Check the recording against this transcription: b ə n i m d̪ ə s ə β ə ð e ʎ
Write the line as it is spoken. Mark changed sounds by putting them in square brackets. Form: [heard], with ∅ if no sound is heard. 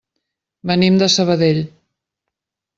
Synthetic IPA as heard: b ə n i m d̪ ə s ə β ə ð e ʎ